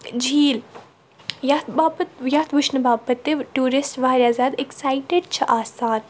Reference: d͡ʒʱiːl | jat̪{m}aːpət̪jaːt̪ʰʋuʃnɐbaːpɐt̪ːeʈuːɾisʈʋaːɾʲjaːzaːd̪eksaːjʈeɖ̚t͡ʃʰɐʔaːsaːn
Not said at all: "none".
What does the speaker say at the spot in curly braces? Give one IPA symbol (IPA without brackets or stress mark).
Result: b